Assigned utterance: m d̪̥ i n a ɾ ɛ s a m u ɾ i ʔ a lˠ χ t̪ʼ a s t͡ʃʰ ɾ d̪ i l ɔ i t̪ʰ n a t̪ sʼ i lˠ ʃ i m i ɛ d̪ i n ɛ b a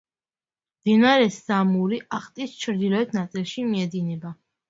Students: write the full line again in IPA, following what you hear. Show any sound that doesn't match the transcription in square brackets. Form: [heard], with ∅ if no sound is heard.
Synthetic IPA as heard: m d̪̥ i n a ɾ ɛ s a m u ɾ i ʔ a [∅] χ t̪ʼ [i] s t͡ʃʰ ɾ d̪ i l ɔ [ɛ] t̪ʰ n a t̪ sʼ i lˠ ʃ i m i ɛ d̪ i n ɛ b a